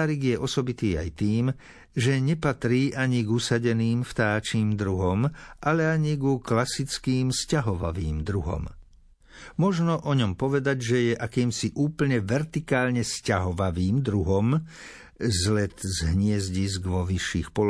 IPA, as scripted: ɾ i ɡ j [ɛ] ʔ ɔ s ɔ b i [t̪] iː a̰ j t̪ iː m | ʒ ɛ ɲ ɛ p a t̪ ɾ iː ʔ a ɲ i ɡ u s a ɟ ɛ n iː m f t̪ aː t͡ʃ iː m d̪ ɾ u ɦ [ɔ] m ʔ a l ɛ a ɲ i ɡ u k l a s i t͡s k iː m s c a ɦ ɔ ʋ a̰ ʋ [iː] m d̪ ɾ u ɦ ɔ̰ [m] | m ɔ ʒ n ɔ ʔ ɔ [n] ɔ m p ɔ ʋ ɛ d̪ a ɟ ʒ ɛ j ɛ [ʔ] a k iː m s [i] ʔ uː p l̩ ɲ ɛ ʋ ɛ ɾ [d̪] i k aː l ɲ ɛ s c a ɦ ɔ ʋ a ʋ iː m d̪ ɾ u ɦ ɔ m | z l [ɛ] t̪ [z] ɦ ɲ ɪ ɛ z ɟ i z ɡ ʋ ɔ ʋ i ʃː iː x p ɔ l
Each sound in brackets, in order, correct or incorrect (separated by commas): correct, correct, correct, correct, correct, incorrect, correct, correct, incorrect, correct, correct